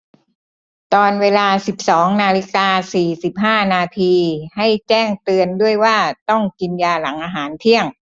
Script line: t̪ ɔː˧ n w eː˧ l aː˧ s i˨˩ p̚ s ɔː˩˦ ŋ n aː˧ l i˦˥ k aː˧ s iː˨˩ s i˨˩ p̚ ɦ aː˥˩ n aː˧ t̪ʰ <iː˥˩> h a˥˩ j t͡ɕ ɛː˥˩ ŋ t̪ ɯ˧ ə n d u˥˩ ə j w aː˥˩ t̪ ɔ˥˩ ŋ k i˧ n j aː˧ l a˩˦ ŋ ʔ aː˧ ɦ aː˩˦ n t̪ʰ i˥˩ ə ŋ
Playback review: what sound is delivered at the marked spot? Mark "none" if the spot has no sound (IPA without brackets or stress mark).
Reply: iː˧